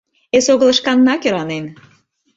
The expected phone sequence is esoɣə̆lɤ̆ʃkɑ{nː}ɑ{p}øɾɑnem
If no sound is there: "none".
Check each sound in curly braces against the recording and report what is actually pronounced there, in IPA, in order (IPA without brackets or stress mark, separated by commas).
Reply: nː, k